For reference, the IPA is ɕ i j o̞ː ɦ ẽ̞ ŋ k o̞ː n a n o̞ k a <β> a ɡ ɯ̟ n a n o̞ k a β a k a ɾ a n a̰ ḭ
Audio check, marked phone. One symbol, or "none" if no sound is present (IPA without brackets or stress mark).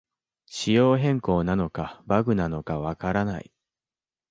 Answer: b